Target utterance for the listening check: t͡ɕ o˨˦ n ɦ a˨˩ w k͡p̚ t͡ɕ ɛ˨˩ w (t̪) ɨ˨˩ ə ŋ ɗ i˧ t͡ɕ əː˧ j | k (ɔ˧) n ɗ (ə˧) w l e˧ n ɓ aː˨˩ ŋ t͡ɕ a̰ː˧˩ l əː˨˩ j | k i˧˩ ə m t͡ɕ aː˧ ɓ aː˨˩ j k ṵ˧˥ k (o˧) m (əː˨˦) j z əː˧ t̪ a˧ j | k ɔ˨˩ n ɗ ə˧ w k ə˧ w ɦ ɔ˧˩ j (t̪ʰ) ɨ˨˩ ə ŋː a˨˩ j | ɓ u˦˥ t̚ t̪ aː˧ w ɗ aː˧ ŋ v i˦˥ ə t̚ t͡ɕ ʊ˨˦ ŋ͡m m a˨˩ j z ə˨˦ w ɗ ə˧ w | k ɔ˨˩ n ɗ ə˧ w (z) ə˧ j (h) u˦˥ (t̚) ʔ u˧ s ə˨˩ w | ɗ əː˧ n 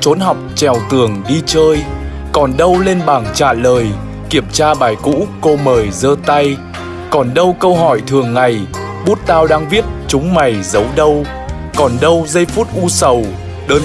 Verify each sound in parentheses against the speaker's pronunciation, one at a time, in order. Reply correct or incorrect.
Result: correct, incorrect: ɔ˨˩, correct, correct, incorrect: əː˨˩, correct, correct, incorrect: f, correct

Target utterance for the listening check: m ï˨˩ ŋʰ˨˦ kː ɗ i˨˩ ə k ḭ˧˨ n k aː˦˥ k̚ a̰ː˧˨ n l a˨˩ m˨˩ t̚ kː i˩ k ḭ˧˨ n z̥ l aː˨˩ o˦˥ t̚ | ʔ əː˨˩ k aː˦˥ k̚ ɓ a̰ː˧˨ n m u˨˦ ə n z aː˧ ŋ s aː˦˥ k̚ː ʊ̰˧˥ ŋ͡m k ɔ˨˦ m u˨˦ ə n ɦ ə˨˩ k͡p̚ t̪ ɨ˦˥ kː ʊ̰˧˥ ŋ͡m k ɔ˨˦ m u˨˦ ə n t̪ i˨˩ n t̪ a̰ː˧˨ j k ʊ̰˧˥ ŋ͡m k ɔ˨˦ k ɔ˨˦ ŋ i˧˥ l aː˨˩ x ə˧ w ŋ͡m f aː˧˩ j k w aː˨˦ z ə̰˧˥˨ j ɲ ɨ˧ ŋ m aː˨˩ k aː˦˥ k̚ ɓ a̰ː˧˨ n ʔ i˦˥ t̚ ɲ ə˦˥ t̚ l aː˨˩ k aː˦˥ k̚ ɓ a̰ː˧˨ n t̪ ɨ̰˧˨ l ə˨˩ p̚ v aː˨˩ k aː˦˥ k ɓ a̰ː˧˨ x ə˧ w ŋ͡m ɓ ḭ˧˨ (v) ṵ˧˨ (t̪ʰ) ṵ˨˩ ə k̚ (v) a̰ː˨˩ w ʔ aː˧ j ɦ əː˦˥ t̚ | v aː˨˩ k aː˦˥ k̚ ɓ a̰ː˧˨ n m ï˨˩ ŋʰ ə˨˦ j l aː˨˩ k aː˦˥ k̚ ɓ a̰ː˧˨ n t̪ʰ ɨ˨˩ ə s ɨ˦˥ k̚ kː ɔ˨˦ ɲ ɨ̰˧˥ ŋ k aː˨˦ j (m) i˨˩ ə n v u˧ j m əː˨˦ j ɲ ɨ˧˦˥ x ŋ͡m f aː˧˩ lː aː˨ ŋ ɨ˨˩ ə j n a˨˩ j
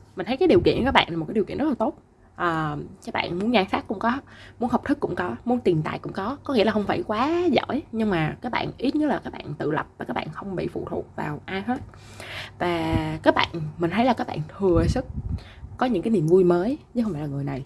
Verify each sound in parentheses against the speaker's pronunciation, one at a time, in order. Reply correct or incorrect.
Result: incorrect: f, correct, correct, incorrect: n

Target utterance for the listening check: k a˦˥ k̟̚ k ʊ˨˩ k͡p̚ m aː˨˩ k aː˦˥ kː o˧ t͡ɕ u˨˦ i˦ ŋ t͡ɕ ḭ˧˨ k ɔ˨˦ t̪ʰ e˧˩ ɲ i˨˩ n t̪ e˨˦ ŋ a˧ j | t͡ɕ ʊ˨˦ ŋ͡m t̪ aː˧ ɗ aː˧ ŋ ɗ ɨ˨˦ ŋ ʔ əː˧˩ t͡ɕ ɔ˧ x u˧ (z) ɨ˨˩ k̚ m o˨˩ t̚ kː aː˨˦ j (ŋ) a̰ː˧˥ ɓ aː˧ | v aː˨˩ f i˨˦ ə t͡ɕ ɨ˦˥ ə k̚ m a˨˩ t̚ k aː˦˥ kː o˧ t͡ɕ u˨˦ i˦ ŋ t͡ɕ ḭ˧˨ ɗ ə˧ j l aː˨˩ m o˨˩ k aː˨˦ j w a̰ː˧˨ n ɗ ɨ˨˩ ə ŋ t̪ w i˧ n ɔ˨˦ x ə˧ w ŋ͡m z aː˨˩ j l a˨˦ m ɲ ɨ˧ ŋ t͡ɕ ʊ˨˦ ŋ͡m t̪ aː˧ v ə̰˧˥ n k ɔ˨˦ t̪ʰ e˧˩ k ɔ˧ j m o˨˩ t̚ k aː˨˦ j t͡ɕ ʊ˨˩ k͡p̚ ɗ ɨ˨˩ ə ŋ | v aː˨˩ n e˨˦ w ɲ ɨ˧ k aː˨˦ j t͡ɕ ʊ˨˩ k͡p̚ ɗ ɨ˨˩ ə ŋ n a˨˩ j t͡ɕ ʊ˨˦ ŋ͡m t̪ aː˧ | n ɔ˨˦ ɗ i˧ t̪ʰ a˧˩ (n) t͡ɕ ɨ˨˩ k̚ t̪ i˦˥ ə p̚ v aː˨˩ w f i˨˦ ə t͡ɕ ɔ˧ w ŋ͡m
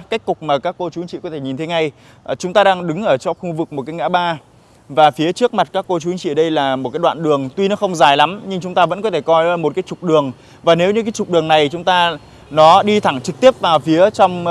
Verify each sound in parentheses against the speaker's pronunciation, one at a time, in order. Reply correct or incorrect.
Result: incorrect: v, correct, incorrect: ŋ

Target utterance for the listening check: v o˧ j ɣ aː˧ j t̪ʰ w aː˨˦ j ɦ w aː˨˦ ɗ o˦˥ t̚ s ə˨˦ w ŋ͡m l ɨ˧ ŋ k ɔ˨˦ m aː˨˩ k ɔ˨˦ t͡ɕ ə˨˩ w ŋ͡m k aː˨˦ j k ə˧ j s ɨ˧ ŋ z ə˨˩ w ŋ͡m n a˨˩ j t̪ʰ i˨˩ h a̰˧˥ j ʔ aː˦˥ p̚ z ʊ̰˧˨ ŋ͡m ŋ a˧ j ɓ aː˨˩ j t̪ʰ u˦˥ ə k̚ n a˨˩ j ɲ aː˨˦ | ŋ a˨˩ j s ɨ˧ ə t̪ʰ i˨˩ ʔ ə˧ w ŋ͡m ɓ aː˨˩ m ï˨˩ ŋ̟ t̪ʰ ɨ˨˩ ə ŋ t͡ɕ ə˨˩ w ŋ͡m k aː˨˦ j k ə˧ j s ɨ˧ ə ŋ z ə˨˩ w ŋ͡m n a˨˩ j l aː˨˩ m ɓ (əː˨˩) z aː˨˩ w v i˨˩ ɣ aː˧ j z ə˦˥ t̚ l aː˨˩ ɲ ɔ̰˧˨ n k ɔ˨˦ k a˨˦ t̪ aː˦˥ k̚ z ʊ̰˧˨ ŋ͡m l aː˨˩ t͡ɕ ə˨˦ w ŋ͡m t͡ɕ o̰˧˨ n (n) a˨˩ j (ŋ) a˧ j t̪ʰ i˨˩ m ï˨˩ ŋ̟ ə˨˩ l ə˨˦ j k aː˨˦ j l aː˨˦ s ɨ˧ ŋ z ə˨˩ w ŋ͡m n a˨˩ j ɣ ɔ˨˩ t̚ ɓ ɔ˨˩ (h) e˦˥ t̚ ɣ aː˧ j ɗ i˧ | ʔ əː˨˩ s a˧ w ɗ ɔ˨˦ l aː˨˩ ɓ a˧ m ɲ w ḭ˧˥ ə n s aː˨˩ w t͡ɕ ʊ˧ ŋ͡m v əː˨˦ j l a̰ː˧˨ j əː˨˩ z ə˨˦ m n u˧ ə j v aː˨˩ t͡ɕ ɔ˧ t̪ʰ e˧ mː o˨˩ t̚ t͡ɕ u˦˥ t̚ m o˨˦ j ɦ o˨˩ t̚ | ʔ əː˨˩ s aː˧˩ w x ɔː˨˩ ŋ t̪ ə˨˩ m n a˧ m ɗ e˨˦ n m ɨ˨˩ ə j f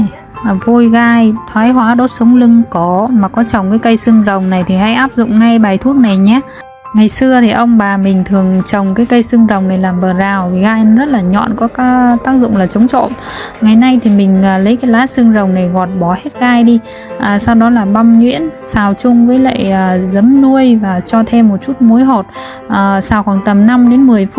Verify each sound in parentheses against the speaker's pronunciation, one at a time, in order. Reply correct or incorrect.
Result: correct, incorrect: ŋ, incorrect: n, correct

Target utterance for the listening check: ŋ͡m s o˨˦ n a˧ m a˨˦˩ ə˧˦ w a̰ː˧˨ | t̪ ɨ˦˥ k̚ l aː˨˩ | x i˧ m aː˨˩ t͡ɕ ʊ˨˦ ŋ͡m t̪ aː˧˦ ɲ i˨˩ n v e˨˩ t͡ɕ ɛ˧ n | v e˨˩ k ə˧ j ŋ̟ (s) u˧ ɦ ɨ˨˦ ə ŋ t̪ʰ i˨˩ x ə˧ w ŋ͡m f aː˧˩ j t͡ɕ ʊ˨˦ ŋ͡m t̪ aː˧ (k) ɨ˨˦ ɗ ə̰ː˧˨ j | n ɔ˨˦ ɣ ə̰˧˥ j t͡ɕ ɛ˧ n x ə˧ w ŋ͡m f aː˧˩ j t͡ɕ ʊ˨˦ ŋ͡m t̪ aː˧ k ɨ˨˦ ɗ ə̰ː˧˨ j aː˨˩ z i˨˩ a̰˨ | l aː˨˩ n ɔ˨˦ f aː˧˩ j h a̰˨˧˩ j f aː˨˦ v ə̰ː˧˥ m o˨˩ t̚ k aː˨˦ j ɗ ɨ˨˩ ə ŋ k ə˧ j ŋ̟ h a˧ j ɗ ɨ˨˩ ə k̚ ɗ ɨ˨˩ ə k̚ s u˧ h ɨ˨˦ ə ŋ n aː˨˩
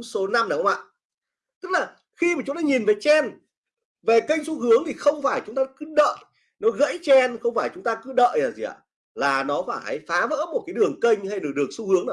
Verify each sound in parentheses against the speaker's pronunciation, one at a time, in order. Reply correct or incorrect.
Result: correct, correct

